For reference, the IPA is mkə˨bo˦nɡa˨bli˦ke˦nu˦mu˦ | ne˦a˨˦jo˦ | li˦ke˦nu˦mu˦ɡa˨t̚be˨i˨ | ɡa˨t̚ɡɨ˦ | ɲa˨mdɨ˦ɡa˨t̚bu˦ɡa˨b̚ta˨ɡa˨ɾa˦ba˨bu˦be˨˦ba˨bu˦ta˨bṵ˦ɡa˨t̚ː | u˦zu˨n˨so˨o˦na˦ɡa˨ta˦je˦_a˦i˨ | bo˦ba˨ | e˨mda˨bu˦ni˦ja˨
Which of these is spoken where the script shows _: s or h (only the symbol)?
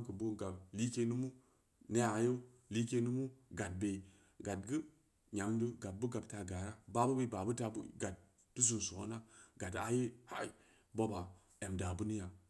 h